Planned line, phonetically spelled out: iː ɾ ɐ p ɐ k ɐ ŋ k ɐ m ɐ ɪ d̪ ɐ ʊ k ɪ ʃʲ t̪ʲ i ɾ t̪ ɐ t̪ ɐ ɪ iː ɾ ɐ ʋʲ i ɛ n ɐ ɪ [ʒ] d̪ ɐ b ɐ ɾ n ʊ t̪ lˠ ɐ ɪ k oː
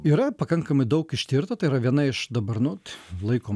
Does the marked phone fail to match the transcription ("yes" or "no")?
yes